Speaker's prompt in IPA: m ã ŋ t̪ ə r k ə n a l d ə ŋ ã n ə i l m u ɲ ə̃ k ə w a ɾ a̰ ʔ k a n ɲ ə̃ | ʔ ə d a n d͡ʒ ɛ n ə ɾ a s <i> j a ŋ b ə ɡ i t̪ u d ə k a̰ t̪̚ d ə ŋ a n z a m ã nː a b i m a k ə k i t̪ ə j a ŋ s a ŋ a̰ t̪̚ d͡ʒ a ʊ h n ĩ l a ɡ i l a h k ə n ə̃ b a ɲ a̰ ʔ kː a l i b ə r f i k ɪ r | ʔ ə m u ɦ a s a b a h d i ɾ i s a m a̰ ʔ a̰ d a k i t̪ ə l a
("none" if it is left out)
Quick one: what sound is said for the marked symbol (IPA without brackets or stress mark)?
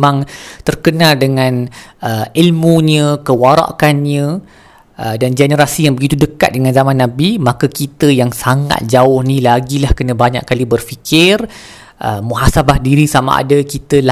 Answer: i